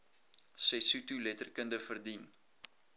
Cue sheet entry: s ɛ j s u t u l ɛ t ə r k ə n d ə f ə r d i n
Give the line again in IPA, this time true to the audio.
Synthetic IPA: s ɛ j s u t u l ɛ t ə r k ə n d ə f ə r d i n